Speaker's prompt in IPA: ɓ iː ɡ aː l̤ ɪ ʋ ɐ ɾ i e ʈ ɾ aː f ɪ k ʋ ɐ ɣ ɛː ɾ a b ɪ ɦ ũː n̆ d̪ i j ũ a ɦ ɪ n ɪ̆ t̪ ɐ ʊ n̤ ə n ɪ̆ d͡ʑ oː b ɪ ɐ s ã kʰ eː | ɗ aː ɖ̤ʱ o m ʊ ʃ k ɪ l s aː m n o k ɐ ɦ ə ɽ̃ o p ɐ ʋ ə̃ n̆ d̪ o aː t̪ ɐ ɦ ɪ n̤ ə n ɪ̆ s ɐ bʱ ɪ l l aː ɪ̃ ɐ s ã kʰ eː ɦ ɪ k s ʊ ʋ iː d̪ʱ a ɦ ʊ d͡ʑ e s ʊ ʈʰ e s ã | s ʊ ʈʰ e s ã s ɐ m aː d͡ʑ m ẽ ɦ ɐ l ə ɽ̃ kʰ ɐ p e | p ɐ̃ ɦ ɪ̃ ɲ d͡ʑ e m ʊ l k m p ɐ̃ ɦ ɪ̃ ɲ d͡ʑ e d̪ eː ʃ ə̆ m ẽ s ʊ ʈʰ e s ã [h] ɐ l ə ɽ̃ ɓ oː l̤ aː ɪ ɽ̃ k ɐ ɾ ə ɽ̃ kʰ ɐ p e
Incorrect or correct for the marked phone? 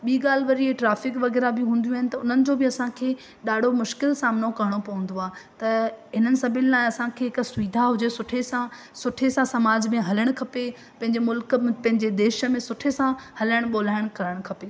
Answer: correct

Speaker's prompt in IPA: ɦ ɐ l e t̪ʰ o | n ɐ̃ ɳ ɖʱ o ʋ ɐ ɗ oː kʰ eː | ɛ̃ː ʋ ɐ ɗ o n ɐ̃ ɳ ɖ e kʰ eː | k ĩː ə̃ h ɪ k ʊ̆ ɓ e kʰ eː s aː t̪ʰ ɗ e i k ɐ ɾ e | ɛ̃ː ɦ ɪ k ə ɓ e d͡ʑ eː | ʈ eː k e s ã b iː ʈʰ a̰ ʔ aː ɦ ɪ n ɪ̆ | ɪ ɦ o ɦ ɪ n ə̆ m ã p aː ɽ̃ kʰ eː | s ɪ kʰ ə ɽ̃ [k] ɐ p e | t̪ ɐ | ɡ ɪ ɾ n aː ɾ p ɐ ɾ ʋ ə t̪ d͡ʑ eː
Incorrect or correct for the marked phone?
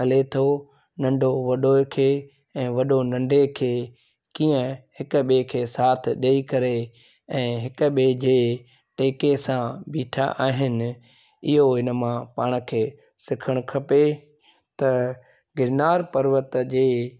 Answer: incorrect: kʰ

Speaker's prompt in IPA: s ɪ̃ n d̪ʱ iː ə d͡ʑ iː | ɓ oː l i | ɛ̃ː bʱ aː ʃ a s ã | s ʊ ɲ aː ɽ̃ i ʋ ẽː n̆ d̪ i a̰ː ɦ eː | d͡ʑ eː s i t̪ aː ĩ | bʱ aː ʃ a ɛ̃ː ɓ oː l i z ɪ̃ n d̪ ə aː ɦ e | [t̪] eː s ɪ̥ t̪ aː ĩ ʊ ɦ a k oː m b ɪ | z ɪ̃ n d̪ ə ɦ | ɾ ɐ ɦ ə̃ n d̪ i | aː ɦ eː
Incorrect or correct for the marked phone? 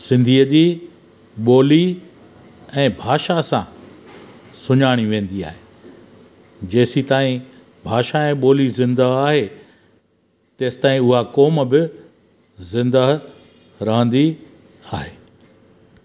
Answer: correct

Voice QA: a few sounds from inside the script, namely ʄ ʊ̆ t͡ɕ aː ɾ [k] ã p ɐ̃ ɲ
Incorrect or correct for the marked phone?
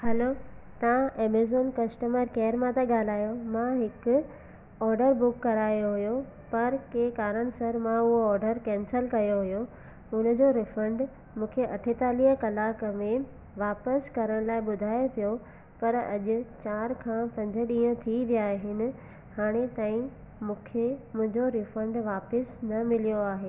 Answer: incorrect: kʰ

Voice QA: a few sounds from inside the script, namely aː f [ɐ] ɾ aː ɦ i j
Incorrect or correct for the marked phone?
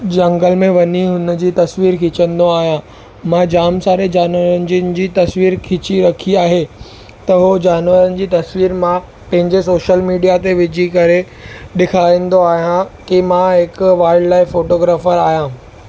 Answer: incorrect: ə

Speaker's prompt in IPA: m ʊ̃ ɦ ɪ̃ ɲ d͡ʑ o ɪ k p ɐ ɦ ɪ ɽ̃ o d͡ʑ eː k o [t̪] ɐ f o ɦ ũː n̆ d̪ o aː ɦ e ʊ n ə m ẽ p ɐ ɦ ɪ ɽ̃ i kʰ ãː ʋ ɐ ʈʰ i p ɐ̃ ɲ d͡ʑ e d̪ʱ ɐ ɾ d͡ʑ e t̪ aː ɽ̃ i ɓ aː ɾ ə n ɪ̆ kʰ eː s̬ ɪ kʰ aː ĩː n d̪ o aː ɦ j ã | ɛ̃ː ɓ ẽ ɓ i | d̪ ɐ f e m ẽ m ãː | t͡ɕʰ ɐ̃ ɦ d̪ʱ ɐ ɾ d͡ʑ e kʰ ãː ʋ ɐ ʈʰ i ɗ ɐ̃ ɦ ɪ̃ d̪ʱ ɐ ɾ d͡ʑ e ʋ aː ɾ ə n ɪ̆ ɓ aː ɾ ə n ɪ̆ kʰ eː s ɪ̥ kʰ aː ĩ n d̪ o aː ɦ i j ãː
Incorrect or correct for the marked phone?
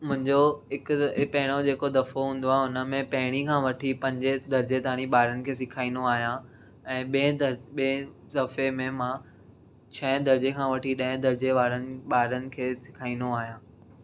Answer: incorrect: d̪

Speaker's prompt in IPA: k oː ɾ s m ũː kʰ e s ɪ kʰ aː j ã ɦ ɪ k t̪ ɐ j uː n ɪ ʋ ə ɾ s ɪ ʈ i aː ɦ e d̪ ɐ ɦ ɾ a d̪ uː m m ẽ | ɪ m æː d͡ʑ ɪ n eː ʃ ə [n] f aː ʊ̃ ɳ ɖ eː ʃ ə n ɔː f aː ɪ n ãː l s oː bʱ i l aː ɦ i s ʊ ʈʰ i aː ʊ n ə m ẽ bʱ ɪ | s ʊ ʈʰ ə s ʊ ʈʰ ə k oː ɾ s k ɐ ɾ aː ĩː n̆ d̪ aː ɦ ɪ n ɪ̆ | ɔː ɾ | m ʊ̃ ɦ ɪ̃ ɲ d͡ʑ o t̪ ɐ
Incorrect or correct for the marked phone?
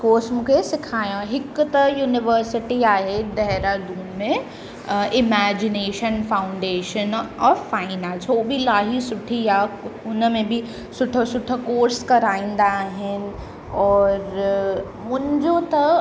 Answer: correct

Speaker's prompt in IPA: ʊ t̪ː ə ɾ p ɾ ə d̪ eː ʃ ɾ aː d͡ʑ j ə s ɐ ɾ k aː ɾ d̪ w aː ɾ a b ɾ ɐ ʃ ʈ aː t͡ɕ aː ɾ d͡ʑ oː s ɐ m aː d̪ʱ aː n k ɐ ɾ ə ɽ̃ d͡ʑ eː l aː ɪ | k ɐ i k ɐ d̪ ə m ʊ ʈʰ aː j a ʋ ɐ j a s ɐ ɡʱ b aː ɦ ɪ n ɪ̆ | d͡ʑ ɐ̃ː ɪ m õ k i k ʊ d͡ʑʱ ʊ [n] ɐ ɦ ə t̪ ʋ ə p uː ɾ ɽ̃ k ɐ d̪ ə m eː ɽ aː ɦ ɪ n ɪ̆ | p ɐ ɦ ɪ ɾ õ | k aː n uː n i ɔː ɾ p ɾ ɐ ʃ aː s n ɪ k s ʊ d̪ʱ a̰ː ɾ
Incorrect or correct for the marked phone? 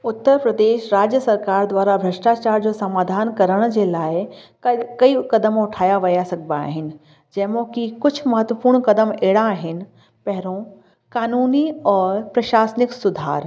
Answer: incorrect: m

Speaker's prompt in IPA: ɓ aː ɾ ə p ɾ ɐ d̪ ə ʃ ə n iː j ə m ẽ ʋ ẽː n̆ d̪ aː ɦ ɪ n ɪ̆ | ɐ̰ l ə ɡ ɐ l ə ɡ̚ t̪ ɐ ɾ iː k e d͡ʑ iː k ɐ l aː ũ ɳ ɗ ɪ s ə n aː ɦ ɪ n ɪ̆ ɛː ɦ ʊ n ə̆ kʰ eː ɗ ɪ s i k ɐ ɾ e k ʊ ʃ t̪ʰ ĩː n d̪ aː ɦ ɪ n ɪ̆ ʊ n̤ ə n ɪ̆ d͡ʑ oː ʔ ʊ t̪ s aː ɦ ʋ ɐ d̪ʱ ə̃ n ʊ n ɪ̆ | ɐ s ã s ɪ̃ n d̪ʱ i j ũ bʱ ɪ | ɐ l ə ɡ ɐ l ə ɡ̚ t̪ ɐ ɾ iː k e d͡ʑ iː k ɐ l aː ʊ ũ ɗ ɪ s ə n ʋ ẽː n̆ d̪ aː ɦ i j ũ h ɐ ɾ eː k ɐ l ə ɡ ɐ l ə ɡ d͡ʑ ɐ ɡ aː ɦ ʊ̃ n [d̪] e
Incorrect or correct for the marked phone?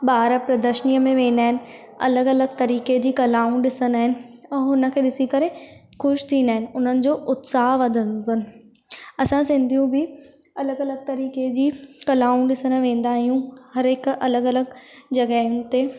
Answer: incorrect: t̪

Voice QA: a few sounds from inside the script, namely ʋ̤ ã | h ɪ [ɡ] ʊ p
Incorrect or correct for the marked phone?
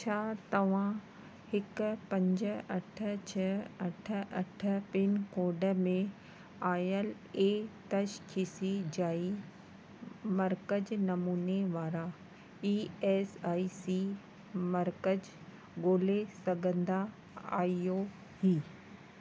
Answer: incorrect: k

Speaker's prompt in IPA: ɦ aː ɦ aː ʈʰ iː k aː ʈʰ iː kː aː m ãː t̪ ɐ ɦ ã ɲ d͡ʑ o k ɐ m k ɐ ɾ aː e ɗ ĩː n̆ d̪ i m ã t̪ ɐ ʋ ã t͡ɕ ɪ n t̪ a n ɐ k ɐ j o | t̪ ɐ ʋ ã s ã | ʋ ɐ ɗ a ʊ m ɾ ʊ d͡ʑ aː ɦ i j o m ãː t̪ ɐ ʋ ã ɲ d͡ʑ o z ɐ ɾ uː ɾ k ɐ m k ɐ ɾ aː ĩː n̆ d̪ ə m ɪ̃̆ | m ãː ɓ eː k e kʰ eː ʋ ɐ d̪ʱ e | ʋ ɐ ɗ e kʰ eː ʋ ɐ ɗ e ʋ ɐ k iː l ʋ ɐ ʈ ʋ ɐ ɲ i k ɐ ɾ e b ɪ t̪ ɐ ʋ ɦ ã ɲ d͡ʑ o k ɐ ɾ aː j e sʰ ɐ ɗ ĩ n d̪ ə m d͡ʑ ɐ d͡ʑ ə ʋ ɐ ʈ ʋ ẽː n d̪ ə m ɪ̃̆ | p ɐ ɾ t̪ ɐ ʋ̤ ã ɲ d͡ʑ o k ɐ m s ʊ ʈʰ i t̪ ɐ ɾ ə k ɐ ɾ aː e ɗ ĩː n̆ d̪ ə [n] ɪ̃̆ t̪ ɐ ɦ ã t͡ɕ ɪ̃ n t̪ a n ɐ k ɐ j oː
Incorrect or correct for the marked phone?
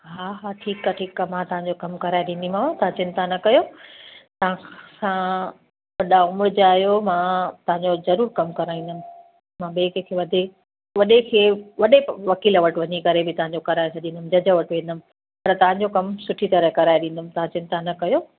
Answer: incorrect: m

